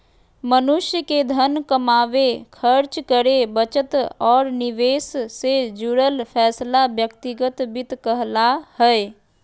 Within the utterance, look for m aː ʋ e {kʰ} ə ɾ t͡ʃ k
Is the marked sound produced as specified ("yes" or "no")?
yes